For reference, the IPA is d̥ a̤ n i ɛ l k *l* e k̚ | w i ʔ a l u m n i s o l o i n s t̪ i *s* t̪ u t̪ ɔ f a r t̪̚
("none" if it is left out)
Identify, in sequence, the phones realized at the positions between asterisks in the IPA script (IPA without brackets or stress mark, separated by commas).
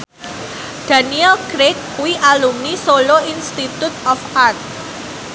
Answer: ɾ, none